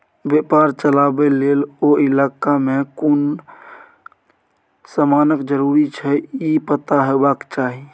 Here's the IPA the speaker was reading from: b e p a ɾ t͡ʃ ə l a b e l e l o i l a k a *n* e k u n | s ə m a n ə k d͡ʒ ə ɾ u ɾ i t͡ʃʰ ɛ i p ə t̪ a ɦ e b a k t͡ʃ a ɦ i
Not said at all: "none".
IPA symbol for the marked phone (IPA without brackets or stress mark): m